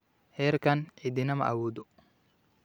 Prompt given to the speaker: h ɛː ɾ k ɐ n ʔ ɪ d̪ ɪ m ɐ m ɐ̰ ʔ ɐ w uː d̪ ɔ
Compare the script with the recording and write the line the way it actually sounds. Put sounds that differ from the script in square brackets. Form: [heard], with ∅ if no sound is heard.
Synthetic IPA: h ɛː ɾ k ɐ n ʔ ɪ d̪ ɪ [n] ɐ m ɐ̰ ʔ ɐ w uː d̪ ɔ